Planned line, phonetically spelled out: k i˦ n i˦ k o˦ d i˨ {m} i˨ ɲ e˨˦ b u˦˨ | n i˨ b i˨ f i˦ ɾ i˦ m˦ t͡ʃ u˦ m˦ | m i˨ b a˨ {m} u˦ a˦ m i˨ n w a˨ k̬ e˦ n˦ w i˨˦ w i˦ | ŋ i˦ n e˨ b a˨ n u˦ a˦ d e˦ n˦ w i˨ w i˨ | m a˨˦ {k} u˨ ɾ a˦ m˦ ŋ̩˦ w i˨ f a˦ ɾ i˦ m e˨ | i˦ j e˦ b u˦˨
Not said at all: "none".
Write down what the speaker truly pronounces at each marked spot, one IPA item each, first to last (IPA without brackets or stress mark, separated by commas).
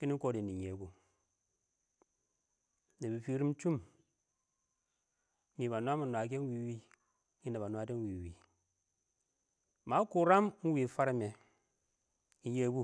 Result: n, n, k